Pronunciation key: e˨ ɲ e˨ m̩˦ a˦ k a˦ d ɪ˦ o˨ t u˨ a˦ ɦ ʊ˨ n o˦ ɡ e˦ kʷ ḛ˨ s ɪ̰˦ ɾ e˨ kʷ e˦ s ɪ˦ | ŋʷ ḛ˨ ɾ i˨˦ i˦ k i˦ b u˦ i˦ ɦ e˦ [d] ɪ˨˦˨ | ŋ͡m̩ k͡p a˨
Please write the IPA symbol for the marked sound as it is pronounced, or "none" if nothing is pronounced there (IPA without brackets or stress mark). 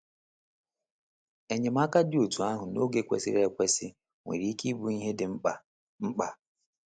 d